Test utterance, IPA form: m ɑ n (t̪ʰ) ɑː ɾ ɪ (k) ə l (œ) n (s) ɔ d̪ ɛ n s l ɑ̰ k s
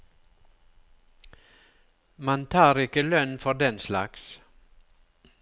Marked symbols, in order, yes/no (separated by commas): yes, yes, yes, no